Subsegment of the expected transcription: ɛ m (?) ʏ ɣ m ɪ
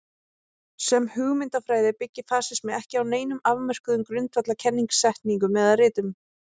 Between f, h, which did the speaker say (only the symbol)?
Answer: h